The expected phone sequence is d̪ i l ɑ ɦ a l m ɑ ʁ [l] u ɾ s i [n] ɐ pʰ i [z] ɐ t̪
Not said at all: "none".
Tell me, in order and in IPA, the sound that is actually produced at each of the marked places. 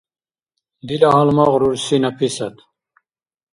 ɾ, n, s

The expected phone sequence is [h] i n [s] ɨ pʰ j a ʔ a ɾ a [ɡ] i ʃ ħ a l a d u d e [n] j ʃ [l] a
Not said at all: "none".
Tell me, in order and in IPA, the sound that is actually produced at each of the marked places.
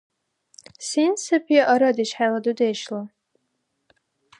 s, s, d, none, l

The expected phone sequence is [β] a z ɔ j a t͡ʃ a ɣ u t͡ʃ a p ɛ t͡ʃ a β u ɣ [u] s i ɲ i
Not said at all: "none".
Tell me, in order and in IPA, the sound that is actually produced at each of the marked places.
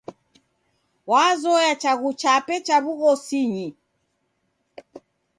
w, ɔ

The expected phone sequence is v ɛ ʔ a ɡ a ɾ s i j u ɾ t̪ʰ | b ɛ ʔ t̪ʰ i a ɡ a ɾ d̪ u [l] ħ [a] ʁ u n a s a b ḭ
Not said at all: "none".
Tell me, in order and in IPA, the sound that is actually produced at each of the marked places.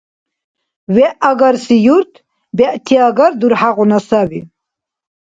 ɾ, a

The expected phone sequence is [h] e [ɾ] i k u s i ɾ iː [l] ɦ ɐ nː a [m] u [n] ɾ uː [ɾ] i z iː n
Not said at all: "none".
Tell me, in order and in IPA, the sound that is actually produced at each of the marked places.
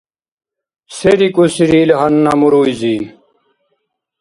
s, ɾ, l, m, none, none

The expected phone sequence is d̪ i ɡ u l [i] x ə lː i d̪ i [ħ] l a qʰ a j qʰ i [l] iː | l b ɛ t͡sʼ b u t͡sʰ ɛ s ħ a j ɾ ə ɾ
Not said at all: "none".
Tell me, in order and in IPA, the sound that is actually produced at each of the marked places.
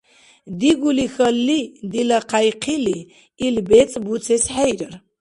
i, none, l

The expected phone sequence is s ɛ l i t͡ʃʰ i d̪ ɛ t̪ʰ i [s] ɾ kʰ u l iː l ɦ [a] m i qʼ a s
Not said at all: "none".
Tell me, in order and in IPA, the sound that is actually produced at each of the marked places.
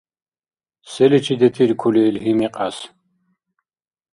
none, i

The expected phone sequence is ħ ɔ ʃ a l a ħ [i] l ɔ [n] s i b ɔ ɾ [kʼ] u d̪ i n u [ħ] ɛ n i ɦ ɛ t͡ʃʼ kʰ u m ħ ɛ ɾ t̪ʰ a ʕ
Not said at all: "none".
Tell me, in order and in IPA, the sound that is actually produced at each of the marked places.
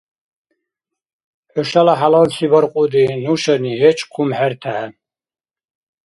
a, n, qʼ, ʃ

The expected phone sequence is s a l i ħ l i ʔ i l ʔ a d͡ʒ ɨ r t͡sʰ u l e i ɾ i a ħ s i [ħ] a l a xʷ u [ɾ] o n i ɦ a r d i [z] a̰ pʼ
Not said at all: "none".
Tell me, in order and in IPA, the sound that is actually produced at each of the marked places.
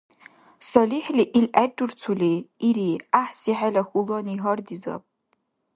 ħ, l, z

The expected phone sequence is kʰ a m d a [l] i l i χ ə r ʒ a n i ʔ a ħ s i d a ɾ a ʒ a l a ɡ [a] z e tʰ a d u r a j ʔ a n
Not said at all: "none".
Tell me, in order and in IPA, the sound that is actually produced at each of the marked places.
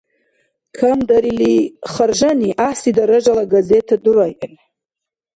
ɾ, a

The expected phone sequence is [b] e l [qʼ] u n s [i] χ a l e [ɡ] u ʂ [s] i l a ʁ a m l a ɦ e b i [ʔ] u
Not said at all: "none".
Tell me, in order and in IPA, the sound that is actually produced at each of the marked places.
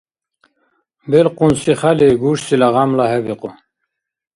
b, q, i, ɡ, s, q

